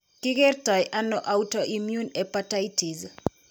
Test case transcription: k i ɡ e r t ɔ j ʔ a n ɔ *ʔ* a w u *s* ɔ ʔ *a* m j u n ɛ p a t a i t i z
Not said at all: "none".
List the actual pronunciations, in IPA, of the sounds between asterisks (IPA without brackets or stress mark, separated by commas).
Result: ʔ, t, i